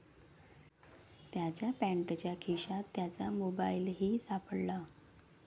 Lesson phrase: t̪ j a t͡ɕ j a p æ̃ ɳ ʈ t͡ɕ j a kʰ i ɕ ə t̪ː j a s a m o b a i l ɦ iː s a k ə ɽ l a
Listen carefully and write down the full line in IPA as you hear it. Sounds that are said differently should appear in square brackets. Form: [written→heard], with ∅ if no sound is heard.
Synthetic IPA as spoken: t̪ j a t͡ɕ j a p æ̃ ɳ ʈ t͡ɕ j a kʰ i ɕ [ə→a] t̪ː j a [s→t͡s] a m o b a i l ɦ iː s a [k→p] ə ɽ l a